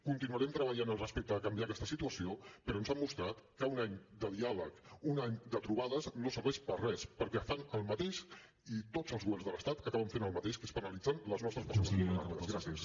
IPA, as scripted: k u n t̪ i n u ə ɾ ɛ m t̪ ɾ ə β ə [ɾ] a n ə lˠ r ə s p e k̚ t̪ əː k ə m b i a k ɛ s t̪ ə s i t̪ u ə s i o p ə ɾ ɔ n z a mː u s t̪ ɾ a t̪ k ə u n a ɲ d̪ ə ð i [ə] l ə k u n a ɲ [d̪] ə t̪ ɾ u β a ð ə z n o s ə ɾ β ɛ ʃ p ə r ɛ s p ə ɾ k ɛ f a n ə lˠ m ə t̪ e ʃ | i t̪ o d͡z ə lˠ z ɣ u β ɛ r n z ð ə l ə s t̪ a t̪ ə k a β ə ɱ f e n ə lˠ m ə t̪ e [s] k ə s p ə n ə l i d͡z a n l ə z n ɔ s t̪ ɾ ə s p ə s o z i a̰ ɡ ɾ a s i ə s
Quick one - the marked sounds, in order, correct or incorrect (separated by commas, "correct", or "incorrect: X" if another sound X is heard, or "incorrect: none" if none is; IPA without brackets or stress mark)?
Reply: incorrect: ʎ, incorrect: a, correct, incorrect: ʃ